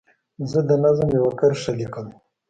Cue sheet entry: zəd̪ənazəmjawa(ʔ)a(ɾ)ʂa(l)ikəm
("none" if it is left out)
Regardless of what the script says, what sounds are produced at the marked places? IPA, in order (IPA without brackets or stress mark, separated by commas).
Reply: k, ɾ, l